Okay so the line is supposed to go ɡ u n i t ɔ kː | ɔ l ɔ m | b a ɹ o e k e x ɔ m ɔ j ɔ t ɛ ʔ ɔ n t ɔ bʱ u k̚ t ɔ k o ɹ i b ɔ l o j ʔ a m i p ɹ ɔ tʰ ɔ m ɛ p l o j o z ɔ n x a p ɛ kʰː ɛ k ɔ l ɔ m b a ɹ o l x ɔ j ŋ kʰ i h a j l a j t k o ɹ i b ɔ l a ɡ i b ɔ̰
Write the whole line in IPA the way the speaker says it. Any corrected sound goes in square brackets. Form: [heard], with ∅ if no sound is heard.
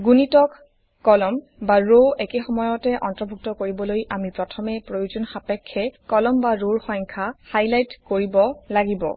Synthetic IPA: ɡ u n i t ɔ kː | ɔ l ɔ m | b a ɹ o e k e x ɔ m ɔ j ɔ t ɛ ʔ ɔ n t ɔ bʱ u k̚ t ɔ k o ɹ i b ɔ l o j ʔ a m i p ɹ ɔ tʰ ɔ m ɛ p [ɹ] o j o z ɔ n x a p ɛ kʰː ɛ k ɔ l ɔ m b a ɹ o [ɹ] x ɔ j ŋ kʰ [a] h a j l a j t k o ɹ i b ɔ l a ɡ i b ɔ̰